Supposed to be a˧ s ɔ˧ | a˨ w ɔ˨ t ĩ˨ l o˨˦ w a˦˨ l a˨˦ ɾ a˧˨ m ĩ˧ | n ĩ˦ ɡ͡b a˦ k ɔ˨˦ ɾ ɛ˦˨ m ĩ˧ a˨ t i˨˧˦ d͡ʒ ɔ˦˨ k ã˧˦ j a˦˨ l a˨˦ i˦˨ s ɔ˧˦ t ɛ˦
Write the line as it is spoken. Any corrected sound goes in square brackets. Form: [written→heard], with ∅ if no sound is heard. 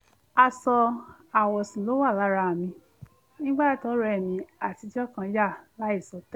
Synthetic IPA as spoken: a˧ s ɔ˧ | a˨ w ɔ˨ [t→s] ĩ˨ l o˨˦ w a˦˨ l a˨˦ ɾ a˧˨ m ĩ˧ | n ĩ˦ ɡ͡b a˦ [k→t] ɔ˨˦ ɾ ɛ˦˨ m ĩ˧ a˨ t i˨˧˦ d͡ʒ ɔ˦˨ k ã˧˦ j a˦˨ l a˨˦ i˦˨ s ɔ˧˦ t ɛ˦